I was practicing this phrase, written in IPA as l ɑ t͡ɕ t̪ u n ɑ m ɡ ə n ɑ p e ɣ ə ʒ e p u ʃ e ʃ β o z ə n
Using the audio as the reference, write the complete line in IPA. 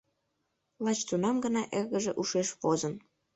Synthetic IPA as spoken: l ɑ t͡ɕ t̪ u n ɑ m ɡ ə n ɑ ʔ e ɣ ə ʒ e ʔ u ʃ e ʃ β o z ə n

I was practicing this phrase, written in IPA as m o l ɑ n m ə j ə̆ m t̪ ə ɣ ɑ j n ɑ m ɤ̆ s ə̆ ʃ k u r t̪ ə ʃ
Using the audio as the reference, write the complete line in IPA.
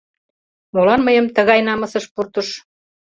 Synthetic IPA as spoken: m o l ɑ n m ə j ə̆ m t̪ ə ɣ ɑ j n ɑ m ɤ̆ s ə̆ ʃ p u r t̪ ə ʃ

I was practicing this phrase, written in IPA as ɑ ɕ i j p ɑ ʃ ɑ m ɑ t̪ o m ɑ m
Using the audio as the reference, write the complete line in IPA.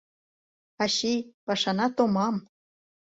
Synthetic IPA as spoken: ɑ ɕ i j p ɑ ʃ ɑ n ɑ t̪ o m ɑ m

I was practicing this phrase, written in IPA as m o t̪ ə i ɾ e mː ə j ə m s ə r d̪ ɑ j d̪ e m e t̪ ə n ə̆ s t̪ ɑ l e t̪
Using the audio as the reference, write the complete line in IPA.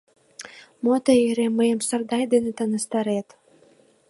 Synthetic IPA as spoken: m o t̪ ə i ɾ e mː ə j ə m s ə r d̪ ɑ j d̪ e n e t̪ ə n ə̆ s t̪ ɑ ɾ e t̪

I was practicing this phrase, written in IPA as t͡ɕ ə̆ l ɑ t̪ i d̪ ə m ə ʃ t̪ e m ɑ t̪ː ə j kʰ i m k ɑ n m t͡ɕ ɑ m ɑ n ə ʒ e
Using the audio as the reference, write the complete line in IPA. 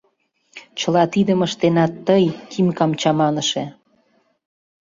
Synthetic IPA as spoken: t͡ɕ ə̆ l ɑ t̪ i d̪ ə m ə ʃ t̪ e n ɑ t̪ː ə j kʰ i m k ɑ m t͡ɕ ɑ m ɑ n ə ʃ e

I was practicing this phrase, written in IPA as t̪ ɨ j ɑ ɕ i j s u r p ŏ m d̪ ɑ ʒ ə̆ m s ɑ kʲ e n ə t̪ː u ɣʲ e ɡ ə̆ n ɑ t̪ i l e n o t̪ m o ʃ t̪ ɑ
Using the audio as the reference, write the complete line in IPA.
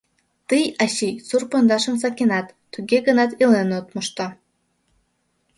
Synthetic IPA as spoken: t̪ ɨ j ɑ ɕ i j s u r p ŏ n d̪ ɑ ʃ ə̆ m s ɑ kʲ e n ɑ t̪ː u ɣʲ e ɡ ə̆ n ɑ t̪ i l e n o t̪ m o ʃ t̪ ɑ

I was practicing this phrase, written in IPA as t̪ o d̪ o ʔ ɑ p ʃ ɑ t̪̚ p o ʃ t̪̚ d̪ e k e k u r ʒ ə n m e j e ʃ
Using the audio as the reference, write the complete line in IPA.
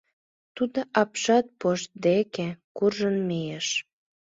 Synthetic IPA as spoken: t̪ u d̪ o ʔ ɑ p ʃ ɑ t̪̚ p o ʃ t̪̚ d̪ e k e k u r ʒ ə n m e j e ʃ

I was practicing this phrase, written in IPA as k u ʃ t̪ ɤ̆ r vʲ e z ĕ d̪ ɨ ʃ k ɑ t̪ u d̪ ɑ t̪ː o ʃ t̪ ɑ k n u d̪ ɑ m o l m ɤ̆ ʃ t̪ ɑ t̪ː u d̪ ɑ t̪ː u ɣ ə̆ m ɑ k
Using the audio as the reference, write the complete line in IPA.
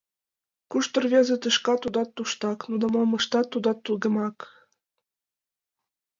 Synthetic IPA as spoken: k u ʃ t̪ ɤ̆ r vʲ e z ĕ t̪ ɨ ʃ k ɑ t̪ u d̪ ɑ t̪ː u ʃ t̪ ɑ k n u d̪ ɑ m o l m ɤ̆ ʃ t̪ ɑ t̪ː u d̪ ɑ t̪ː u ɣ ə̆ m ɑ k

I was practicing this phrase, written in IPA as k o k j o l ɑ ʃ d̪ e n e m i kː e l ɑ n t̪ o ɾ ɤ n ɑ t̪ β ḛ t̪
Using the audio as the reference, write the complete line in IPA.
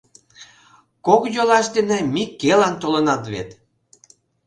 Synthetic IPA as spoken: k o k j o l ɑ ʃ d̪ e n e m i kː e l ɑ n t̪ o l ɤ n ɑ t̪ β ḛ t̪

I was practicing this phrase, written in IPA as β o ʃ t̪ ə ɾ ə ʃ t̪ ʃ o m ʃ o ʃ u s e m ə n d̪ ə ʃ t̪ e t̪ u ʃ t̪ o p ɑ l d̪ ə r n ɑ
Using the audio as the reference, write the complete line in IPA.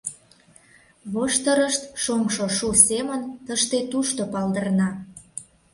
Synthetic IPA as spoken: β o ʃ t̪ ə ɾ ə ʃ t̪ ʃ o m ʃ o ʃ u s e m ə n t̪ ə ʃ t̪ e t̪ u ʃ t̪ o p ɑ l d̪ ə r n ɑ

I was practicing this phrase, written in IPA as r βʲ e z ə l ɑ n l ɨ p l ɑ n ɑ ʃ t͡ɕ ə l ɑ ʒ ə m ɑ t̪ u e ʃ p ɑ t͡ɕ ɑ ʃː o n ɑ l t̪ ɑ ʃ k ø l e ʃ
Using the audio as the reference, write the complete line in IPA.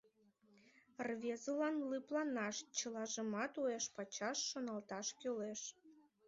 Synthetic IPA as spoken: r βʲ e z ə l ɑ n l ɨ p l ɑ n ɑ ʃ t͡ɕ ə l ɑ ʒ ə m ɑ t̪ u e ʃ p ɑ t͡ɕ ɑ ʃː o n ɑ l t̪ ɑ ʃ k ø l e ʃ

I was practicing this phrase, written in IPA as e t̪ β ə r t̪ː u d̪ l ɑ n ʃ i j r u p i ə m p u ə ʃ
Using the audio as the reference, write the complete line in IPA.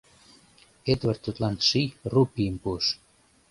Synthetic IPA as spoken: e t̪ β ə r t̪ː u t̪ l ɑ n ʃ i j r u p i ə m p u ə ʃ

